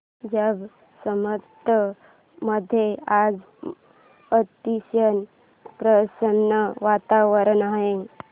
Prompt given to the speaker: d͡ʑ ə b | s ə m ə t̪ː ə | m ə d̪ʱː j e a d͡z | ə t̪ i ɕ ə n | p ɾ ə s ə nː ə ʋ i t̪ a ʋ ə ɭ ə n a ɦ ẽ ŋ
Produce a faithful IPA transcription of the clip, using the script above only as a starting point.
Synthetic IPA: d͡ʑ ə b | s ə m ə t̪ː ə | m ə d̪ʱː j e a d͡z | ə t̪ i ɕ ə n | p ɾ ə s ə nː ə ʋ a t̪ a ʋ ə ɾ ə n a ɦ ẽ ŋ